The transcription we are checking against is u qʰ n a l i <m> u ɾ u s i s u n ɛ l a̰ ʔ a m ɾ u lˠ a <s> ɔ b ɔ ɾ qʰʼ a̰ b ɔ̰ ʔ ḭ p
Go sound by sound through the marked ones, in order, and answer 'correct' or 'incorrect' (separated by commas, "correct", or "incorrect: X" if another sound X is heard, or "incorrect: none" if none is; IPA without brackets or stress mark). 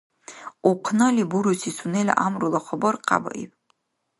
incorrect: b, incorrect: χ